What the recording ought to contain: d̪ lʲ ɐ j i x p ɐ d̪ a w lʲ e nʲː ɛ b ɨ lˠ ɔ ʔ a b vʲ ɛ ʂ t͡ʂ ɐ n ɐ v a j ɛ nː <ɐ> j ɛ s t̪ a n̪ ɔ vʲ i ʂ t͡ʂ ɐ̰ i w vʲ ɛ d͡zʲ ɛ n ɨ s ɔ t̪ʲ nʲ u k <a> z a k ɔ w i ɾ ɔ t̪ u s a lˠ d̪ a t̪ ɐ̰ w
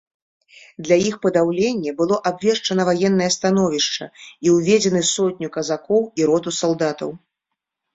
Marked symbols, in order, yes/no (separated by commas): yes, no